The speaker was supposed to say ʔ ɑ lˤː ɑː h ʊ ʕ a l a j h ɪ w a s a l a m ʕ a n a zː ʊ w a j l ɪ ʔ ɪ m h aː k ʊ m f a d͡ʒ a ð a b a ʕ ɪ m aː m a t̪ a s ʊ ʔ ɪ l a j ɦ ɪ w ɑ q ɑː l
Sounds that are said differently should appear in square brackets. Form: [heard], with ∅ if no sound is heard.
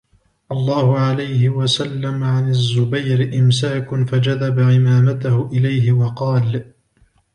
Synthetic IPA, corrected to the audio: ʔ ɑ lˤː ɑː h ʊ ʕ a l a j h ɪ w a s a [lː] a m ʕ a n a zː ʊ [b] a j [ɾ] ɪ ʔ ɪ m [s] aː k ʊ [∅] f a d͡ʒ a ð a b a ʕ ɪ m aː m a t̪ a [h] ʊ ʔ ɪ l a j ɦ ɪ w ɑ q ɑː l